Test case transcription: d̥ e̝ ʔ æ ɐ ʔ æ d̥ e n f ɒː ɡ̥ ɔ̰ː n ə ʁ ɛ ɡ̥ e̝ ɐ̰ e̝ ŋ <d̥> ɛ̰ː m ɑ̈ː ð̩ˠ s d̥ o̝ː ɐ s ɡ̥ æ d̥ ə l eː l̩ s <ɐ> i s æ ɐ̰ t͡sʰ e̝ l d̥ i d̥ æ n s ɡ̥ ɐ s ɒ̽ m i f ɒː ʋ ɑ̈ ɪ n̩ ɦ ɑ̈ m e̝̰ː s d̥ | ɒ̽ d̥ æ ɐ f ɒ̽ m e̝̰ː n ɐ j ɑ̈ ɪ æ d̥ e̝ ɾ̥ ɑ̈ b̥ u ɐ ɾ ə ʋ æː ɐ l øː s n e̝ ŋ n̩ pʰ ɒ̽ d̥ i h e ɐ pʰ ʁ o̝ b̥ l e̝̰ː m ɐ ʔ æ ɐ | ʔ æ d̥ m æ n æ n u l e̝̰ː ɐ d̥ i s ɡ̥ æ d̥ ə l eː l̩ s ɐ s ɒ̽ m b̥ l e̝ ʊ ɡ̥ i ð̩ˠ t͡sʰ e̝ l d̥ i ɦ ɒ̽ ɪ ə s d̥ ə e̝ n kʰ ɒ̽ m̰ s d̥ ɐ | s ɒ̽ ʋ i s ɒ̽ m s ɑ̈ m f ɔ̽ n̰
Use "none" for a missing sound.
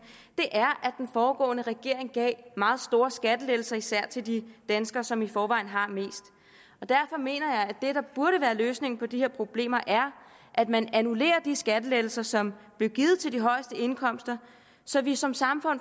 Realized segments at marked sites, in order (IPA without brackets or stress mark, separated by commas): ɡ̥, ɐ